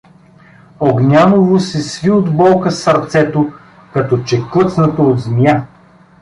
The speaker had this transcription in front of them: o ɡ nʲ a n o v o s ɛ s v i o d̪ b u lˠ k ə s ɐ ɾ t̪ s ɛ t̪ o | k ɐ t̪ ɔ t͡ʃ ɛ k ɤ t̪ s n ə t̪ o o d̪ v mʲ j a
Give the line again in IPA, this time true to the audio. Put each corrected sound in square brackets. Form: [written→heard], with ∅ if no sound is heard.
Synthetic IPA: o ɡ nʲ a n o v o s ɛ s v i o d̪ b [u→ɔ] lˠ k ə s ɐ ɾ t̪ s ɛ t̪ o | k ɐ t̪ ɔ t͡ʃ ɛ k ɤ t̪ s n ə t̪ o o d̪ [v→z] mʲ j a